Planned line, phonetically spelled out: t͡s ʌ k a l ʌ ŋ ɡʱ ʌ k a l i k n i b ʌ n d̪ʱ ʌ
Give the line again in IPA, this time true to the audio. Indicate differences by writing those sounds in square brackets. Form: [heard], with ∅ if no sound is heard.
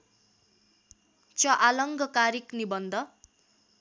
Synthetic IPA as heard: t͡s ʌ [ʔ] a l ʌ ŋ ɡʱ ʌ k a [ɾ] i k n i b ʌ n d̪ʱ ʌ